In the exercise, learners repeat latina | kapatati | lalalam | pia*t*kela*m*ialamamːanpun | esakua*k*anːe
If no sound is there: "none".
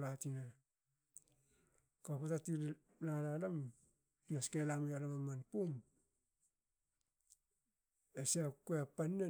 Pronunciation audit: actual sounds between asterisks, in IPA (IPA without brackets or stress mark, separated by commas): s, m, p